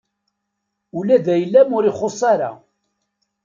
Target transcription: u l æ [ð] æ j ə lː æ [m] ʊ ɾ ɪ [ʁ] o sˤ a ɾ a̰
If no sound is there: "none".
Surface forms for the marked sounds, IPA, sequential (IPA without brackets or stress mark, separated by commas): ð, m, χ